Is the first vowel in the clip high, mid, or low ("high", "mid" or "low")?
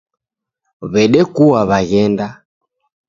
mid